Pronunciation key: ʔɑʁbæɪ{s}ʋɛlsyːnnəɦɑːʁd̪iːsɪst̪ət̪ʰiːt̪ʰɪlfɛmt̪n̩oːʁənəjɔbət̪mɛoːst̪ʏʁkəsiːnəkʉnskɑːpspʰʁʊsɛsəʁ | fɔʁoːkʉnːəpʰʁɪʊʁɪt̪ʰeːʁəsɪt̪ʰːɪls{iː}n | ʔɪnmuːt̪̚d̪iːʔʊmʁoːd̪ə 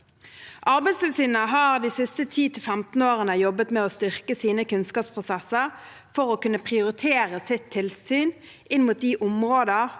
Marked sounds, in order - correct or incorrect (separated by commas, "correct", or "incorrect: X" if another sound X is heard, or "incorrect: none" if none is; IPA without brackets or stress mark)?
correct, incorrect: yː